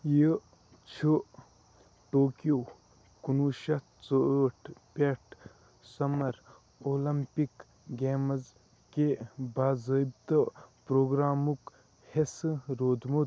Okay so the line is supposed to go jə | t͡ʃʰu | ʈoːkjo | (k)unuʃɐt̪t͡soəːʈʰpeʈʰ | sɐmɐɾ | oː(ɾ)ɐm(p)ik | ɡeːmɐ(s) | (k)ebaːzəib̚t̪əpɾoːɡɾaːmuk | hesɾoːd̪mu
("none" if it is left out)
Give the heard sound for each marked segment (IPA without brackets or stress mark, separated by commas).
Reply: k, l, p, z, k